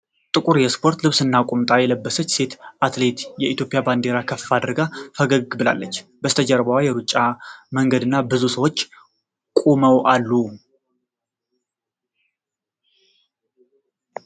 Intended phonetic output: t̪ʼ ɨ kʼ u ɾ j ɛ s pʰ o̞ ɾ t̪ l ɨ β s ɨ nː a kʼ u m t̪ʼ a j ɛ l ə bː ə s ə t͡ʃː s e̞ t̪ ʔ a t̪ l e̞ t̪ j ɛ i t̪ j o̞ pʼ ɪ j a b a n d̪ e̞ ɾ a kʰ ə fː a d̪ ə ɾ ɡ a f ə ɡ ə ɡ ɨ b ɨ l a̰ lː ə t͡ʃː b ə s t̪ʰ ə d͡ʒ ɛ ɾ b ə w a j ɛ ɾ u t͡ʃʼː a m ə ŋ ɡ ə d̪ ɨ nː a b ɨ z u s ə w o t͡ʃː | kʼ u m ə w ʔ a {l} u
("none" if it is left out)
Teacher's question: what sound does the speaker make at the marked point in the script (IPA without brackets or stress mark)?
lː